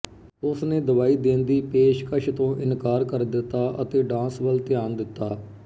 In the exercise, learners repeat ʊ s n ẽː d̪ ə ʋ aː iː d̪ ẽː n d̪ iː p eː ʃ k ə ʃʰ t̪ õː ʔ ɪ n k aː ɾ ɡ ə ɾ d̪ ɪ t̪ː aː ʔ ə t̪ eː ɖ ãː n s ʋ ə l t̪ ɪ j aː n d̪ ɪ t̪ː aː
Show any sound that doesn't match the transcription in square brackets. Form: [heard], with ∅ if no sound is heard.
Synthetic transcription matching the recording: ʊ s n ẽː d̪ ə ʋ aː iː d̪ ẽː n d̪ iː p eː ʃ k ə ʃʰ t̪ õː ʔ ɪ n k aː ɾ [k] ə ɾ d̪ ɪ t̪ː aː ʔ ə t̪ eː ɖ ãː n s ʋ ə l t̪ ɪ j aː n d̪ ɪ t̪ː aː